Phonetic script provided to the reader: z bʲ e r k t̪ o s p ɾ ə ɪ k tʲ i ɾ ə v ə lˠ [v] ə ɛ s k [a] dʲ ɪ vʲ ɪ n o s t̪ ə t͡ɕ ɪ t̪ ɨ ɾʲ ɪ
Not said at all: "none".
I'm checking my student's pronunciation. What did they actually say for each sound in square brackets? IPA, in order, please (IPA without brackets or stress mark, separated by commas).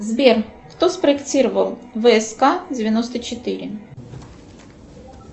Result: v, a